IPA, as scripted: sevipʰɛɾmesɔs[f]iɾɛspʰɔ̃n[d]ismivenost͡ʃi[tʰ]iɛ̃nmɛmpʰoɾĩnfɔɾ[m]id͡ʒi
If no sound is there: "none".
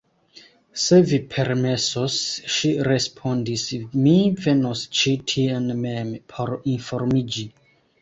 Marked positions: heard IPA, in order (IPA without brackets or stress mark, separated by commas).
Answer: ʃ, d, tʰ, m